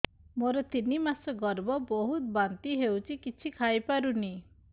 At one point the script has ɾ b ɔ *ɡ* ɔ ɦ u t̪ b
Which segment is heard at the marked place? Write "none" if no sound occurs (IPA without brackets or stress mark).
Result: b